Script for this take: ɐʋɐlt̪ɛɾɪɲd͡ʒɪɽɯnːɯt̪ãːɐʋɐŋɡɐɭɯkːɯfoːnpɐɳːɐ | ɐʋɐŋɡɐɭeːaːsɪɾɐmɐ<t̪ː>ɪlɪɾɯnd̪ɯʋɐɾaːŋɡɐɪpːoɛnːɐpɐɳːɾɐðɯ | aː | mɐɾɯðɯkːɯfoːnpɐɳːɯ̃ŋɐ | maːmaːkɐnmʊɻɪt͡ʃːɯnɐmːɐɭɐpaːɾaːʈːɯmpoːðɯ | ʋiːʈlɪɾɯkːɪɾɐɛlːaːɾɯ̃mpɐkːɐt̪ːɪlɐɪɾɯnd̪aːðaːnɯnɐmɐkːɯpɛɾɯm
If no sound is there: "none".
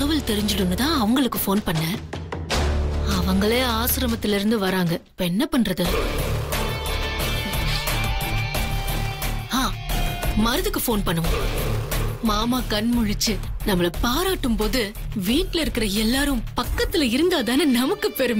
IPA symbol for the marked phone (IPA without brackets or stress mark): t̪ː